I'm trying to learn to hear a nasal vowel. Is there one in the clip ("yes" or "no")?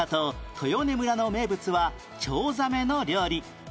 no